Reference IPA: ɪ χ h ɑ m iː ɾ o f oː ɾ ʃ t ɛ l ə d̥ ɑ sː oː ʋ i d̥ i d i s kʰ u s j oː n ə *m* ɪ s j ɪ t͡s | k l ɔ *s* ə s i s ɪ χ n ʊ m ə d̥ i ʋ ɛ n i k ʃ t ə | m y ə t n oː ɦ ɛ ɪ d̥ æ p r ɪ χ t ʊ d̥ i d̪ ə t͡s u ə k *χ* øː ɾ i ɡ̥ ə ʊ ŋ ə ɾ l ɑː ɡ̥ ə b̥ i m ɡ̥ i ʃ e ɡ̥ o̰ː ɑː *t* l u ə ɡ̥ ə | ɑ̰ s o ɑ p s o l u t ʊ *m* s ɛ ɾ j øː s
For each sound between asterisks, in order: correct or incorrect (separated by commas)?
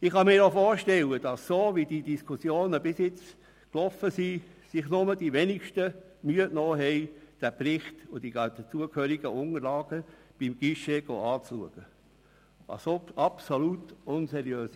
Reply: incorrect, incorrect, incorrect, incorrect, incorrect